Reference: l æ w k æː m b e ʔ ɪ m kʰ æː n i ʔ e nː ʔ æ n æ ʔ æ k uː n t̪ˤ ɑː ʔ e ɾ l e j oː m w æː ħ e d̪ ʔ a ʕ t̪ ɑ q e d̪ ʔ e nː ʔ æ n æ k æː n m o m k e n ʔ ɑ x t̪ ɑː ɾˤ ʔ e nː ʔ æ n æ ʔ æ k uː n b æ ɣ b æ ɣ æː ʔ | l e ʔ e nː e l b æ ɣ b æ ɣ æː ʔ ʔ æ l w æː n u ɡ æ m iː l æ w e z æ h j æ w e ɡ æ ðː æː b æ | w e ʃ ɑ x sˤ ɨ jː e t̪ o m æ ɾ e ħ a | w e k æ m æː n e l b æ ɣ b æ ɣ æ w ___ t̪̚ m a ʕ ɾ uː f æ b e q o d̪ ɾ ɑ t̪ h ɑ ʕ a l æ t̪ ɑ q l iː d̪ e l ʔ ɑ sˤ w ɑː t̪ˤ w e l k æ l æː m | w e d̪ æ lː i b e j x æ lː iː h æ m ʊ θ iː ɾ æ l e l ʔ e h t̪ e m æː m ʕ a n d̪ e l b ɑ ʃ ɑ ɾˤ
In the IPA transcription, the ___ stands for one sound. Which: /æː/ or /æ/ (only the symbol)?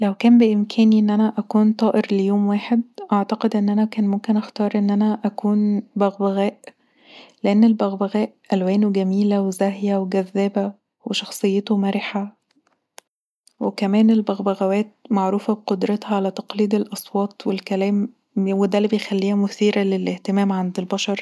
æː